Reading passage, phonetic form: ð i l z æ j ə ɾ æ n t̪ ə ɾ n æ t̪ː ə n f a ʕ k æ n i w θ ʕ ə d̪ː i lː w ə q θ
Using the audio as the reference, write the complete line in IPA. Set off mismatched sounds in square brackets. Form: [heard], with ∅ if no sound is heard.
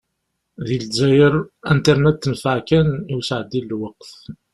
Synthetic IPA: ð i l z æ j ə ɾ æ n t̪ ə ɾ n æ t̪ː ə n f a ʕ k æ n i w [s] ʕ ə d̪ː i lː w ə q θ